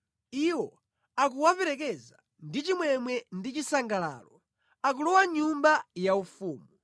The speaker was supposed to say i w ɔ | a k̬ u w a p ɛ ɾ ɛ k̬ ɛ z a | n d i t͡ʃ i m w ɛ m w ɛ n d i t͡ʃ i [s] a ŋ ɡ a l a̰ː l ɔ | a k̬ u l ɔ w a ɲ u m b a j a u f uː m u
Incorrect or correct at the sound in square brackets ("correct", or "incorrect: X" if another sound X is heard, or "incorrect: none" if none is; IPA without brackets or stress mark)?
correct